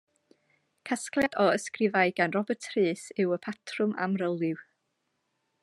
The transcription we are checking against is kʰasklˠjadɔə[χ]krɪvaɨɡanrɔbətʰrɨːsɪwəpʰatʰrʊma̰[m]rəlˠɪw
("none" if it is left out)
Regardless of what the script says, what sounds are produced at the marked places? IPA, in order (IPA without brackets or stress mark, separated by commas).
s, m